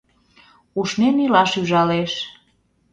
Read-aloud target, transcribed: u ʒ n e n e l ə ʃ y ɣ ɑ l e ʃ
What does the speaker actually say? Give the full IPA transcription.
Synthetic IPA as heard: u ʃ n e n i l ɑ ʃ y ʒ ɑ l e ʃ